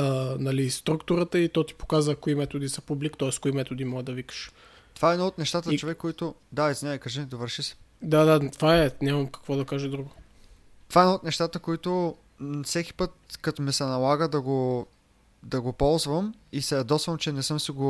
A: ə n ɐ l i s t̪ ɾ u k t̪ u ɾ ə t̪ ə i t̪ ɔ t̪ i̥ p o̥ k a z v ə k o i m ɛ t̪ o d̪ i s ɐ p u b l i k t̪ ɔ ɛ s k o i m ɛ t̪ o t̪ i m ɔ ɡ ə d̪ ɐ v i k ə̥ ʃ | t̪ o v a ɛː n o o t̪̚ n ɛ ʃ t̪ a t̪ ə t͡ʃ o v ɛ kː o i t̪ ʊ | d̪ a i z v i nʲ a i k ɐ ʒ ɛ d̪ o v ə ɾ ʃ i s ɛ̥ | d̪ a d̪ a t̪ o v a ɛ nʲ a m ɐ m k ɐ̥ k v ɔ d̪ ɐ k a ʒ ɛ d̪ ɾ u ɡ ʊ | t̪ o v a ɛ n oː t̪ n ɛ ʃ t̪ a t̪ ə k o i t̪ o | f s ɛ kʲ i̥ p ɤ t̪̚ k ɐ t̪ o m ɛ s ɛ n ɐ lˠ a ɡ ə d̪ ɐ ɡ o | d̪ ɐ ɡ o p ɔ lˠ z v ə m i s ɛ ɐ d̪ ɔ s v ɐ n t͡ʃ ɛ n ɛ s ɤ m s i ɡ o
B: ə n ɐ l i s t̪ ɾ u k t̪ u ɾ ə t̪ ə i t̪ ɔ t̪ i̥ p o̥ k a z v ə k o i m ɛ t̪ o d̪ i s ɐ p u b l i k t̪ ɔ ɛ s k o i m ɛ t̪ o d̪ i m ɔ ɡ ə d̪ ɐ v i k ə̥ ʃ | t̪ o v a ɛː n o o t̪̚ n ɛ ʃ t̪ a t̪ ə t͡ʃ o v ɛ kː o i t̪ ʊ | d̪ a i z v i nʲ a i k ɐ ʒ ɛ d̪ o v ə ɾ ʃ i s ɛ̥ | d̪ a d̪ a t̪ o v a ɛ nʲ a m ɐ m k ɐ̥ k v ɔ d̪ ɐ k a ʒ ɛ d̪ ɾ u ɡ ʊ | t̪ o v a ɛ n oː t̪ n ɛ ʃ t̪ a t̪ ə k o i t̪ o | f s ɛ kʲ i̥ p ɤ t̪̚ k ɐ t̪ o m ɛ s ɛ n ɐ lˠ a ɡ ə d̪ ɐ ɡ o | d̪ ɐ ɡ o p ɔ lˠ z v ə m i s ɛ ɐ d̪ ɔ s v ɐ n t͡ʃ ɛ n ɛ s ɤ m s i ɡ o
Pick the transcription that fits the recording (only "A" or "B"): B